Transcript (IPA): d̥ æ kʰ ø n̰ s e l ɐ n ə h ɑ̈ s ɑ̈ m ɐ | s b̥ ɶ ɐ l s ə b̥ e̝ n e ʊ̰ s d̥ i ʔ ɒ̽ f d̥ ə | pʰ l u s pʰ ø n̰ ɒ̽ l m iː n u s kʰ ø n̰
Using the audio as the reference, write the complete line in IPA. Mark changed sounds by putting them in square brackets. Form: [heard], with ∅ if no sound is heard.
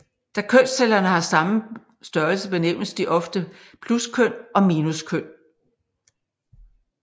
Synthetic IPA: d̥ æ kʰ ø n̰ s e l ɐ n ə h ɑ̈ s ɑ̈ m [ə] | s [d̥] ɶ ɐ l s ə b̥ e̝ n e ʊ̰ s d̥ i ʔ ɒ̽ f d̥ ə | pʰ l u s [kʰ] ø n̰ ɒ̽ [∅] m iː n u s kʰ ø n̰